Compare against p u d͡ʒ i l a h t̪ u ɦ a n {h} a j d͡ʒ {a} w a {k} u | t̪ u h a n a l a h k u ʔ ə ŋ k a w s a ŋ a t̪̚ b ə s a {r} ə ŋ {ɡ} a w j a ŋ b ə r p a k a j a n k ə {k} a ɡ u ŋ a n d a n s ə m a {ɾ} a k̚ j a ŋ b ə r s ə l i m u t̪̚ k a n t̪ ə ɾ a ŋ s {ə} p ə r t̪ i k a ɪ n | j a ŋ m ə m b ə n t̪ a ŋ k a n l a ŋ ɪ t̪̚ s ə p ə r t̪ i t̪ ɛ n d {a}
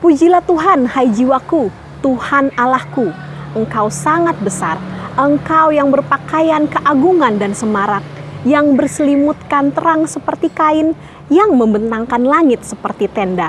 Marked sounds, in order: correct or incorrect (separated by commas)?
correct, incorrect, correct, correct, incorrect, incorrect, correct, correct, correct